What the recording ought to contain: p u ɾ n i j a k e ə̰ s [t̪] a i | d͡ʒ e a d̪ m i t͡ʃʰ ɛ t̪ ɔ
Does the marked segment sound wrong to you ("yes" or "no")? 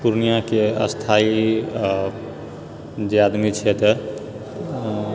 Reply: yes